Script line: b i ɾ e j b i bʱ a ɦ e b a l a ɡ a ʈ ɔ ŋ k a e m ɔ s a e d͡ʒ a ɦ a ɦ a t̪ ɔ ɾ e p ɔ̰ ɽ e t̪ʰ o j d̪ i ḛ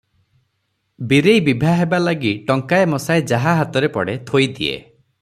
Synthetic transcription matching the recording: b i ɾ e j b i bʱ a ɦ e b a l a ɡ i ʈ ɔ ŋ k a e m ɔ s a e d͡ʒ a ɦ a ɦ a t̪ ɔ ɾ e p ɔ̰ ɽ e t̪ʰ o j d̪ i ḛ